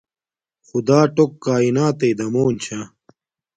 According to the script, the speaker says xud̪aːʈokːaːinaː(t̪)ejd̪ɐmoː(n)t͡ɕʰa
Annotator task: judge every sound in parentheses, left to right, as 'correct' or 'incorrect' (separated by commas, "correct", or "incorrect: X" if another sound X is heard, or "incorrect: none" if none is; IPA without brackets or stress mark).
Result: correct, correct